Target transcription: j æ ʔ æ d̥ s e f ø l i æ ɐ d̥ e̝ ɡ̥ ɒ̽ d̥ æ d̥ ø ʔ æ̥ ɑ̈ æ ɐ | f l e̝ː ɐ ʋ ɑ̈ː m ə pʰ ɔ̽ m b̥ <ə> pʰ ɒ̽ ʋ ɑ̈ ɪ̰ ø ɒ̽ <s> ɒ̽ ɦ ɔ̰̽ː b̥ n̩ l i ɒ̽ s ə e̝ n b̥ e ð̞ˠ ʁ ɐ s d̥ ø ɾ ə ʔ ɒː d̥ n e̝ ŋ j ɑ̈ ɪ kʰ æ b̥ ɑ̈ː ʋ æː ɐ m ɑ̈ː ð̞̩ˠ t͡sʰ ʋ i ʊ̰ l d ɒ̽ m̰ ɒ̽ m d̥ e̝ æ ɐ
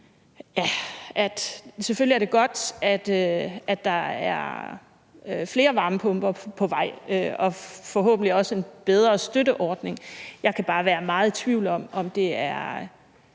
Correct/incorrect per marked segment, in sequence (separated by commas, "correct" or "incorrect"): incorrect, incorrect